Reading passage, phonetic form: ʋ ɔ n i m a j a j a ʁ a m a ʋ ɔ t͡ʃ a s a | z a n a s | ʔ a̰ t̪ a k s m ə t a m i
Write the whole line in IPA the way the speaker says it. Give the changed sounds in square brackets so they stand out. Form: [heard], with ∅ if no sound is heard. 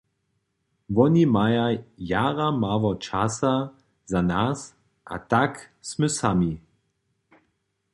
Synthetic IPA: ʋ ɔ n i m a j a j a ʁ a m a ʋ ɔ t͡ʃ a s a | z a n a s | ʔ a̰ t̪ a k s m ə [s] a m i